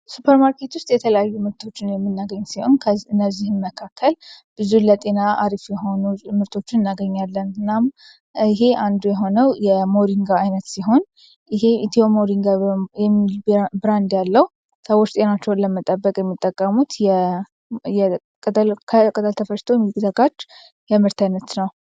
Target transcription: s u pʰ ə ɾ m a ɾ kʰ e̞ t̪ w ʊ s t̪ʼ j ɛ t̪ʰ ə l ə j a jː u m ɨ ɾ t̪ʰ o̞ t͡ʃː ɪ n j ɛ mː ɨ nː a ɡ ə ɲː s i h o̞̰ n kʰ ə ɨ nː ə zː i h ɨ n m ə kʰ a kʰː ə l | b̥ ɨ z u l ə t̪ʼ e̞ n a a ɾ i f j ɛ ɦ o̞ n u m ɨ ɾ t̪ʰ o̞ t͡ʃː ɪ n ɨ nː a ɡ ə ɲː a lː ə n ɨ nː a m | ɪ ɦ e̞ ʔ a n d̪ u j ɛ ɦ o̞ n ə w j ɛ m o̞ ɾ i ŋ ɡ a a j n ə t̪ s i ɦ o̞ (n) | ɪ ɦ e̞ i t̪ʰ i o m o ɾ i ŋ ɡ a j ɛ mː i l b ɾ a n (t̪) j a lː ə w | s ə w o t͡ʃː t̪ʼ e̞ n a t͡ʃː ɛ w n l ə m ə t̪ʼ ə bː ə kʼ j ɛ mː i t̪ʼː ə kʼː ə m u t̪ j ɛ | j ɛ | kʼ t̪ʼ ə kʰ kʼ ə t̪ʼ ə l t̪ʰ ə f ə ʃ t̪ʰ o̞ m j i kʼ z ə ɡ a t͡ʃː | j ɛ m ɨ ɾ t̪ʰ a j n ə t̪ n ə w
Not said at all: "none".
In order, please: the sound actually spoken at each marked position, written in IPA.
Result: n, d̪

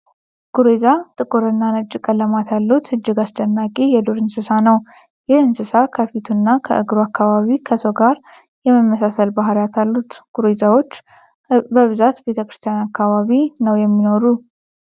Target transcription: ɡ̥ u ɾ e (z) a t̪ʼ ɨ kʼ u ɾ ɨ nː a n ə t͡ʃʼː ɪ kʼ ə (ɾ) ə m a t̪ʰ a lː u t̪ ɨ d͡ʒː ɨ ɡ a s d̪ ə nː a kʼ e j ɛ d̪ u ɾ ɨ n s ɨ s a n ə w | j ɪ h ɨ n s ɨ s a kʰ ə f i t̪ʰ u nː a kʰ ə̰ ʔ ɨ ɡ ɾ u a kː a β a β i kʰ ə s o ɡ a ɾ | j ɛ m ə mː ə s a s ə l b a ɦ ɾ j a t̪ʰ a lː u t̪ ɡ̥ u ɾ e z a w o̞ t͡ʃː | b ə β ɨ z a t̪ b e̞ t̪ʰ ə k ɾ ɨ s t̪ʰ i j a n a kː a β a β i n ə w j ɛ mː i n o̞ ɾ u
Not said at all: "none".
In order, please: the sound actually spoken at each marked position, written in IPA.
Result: z, l

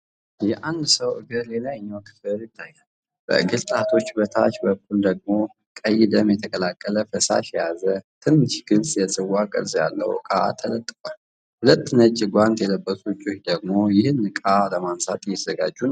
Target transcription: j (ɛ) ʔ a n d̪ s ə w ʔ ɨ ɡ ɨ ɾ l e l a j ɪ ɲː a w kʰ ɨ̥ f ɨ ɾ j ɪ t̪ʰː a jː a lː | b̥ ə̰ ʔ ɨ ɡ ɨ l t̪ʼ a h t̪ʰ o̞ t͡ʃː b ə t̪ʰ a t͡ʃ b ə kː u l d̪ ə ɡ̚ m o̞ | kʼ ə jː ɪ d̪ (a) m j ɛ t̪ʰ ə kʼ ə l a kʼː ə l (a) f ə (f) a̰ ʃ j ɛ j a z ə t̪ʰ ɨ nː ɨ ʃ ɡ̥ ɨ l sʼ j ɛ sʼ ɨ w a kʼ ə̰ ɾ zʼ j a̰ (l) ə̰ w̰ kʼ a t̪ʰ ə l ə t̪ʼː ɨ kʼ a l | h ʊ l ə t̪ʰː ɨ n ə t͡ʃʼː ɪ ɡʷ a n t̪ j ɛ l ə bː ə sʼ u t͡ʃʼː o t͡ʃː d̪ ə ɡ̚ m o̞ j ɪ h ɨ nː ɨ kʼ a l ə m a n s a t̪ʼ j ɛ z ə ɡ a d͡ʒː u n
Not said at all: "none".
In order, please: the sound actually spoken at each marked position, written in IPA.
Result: ɛ, ə, ə, s, lː

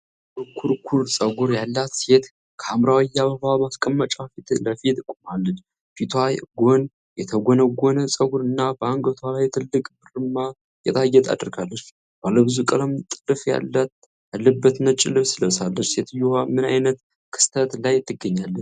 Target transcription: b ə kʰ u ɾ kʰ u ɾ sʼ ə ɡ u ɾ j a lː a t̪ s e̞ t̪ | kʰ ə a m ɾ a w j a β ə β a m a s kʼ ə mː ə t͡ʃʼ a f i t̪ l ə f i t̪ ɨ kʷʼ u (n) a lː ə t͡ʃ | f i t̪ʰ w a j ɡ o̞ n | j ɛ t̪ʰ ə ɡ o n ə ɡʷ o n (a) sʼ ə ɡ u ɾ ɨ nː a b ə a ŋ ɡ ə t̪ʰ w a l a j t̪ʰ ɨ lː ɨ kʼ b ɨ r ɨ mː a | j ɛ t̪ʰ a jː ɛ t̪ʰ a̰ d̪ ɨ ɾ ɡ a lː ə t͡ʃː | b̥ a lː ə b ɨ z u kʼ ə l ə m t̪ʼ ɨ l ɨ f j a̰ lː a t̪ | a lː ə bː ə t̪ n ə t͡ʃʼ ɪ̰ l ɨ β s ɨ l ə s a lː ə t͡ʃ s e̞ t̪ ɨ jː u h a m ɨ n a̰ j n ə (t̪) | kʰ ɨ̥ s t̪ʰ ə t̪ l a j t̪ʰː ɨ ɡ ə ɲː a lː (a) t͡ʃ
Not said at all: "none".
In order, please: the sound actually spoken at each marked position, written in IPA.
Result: m, ə, t̪, ə

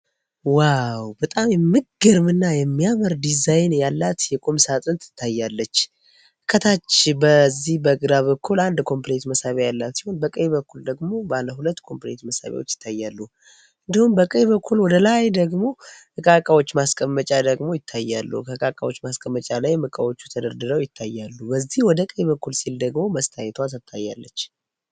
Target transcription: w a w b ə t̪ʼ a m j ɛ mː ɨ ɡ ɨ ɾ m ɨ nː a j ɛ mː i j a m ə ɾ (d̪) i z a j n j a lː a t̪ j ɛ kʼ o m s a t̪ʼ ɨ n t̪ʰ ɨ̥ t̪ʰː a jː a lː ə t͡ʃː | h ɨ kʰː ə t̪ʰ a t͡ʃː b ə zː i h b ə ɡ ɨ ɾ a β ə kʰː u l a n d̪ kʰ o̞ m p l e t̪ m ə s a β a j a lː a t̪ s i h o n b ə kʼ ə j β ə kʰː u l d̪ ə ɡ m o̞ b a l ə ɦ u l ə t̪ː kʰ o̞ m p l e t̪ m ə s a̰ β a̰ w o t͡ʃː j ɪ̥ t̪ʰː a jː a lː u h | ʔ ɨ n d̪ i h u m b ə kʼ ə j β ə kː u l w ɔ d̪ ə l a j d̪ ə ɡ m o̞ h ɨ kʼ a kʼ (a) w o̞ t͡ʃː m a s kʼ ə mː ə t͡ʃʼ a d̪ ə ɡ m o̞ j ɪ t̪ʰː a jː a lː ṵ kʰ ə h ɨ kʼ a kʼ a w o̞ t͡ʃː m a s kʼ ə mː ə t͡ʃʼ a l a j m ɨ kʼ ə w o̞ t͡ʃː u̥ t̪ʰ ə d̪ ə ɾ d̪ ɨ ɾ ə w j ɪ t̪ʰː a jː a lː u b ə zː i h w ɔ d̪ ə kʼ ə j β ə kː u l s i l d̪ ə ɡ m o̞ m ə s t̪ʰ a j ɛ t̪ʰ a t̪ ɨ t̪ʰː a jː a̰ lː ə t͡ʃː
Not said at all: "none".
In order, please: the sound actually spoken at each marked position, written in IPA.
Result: d̪, a

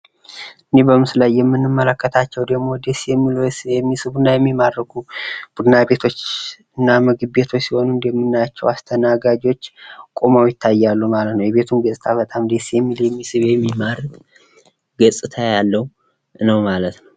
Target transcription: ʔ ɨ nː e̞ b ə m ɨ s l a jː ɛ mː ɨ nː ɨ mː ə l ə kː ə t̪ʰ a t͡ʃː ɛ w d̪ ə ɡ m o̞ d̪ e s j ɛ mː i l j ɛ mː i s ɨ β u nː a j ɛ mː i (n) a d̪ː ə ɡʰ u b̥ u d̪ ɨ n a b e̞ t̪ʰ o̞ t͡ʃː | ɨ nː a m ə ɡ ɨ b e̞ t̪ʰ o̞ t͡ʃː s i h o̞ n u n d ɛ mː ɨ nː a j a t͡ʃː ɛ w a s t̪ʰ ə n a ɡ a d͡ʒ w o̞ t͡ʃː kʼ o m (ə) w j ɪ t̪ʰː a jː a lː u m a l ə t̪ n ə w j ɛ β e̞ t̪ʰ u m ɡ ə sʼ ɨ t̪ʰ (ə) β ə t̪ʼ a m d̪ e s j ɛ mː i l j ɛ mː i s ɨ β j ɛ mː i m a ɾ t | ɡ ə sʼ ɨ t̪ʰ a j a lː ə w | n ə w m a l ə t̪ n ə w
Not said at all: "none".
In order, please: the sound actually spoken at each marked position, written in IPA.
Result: m, a, a

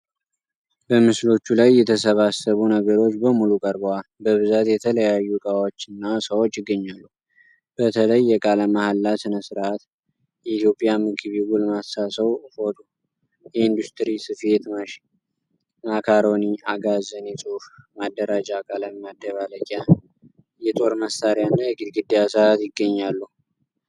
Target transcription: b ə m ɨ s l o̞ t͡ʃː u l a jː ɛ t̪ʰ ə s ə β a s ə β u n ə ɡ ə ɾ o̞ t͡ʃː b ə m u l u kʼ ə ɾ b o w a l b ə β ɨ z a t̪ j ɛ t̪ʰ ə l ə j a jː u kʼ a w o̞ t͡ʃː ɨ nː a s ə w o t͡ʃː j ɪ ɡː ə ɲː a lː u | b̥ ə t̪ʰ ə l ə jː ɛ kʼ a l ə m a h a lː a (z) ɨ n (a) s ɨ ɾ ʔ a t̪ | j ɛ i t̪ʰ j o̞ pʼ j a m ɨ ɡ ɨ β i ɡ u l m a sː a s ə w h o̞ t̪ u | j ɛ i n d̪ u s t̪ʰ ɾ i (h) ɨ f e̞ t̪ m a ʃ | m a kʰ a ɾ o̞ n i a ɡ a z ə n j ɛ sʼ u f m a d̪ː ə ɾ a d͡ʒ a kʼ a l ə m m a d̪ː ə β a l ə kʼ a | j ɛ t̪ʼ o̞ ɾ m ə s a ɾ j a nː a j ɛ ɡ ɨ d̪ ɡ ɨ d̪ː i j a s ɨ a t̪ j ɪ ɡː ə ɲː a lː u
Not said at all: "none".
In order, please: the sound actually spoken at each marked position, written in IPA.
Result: s, ə, s

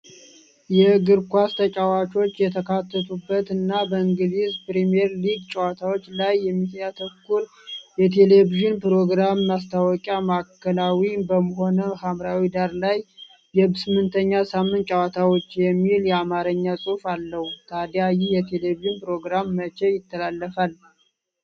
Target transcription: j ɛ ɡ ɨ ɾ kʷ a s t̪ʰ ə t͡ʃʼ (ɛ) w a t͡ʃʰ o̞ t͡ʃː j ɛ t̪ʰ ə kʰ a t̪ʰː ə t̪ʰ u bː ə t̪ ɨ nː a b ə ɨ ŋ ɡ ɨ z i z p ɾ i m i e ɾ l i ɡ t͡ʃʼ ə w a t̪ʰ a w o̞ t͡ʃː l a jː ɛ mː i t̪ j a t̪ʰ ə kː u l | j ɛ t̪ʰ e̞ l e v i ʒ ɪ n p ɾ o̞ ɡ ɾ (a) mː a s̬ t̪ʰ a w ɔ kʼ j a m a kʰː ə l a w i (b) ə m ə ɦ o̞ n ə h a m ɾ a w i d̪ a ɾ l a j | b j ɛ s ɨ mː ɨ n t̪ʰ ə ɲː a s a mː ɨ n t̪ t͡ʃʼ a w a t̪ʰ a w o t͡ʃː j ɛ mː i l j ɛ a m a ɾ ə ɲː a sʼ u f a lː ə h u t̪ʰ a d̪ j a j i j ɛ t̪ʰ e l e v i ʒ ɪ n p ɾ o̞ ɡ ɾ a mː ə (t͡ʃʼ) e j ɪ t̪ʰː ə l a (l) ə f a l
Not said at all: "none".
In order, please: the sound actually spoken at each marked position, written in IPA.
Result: a, a, b, t͡ʃ, lː

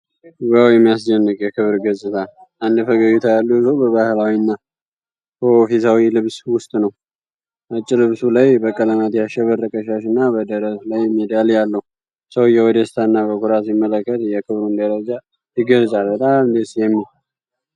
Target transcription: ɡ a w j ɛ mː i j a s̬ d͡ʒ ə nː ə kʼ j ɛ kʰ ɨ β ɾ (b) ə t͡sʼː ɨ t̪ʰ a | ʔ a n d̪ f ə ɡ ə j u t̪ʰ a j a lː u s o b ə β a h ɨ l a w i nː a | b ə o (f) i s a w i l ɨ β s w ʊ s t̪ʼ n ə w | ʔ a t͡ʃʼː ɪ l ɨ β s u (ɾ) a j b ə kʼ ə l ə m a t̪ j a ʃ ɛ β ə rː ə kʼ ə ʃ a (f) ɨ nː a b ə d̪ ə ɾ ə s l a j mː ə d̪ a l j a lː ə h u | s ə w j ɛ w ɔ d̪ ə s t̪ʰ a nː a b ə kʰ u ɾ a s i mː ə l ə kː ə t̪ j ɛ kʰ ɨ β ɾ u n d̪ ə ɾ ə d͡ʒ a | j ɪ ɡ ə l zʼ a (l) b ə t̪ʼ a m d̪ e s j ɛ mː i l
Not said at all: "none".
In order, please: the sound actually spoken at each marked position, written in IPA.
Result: ɡ, f, l, ʃ, l

